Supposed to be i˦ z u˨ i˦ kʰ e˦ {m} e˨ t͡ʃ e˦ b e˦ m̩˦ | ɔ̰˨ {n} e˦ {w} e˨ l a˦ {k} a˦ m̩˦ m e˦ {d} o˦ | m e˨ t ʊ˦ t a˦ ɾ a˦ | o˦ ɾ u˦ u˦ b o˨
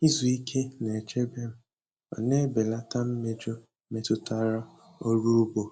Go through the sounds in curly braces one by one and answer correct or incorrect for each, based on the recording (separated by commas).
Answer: incorrect, correct, incorrect, incorrect, incorrect